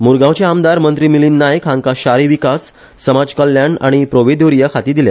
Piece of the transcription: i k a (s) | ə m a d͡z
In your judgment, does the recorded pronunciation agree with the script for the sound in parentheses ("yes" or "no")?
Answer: no